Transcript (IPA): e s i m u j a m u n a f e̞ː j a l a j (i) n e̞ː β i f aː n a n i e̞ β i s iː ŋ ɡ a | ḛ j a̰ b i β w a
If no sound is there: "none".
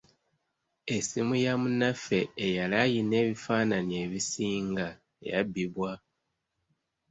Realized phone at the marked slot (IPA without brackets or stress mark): i